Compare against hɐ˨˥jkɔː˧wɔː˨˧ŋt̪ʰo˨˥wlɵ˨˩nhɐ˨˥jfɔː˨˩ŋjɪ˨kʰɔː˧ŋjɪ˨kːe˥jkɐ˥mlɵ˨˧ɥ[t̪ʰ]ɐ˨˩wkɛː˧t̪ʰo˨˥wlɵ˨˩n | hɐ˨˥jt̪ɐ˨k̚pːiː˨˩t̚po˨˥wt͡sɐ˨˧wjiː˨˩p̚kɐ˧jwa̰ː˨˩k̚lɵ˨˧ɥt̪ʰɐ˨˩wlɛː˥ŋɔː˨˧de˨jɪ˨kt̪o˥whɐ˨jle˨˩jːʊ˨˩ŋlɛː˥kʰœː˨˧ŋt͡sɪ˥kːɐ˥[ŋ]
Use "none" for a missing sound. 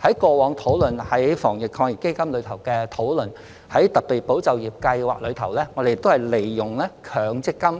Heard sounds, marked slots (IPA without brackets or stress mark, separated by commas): t̪ʰ, m